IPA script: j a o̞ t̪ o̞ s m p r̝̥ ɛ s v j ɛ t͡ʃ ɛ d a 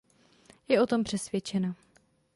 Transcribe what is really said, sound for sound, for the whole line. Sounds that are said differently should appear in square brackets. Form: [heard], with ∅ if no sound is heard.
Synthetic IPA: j [ɛ] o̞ t̪ o̞ [∅] m p r̝̥ ɛ s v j ɛ t͡ʃ ɛ [n] a